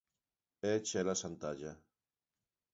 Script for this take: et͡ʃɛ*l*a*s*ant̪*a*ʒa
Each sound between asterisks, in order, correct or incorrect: correct, correct, correct

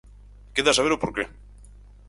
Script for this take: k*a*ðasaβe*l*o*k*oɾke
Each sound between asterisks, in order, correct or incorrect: incorrect: e, incorrect: ɾ, incorrect: p

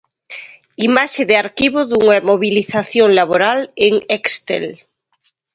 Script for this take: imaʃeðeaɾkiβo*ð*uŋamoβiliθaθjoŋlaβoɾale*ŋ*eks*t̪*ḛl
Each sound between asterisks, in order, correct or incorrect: correct, correct, correct

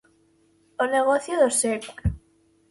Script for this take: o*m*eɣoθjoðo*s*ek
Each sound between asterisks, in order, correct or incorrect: incorrect: n, correct

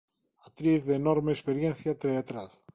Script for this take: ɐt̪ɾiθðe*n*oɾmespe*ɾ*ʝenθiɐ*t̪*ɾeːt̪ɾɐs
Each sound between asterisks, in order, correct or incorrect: correct, correct, correct

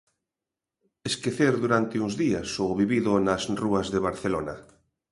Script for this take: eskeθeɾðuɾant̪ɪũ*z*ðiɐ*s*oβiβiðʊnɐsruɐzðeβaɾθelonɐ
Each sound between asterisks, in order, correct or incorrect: correct, correct

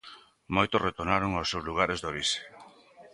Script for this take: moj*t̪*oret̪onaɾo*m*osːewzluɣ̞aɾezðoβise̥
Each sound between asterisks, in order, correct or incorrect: correct, incorrect: ŋ

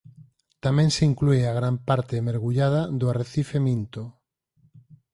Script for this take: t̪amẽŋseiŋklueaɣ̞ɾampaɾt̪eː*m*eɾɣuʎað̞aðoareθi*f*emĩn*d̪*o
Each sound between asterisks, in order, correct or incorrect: correct, correct, incorrect: t̪

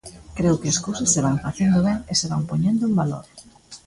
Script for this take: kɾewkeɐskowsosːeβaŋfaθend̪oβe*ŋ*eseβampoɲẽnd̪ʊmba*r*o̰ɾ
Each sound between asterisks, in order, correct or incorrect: correct, incorrect: l

